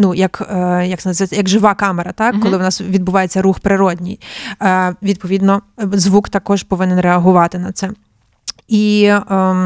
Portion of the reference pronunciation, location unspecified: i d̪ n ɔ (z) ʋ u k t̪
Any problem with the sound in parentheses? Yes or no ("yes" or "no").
no